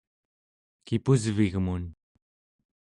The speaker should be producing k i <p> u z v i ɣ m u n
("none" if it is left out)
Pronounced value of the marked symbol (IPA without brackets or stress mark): p